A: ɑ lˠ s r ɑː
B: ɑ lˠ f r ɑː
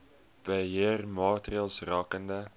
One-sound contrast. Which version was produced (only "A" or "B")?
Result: A